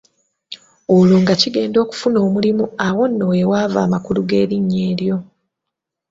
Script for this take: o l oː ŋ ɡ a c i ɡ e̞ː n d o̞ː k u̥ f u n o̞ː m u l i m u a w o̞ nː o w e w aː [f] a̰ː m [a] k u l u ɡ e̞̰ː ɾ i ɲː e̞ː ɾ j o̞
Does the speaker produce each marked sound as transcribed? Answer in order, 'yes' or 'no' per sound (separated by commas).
no, yes